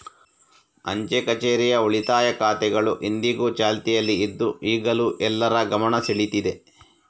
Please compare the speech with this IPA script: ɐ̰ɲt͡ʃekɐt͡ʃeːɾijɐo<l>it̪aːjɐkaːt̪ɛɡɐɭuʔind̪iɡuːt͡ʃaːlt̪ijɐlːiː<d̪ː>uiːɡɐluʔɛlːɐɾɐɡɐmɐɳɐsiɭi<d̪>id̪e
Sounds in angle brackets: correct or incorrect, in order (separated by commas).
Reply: incorrect, correct, incorrect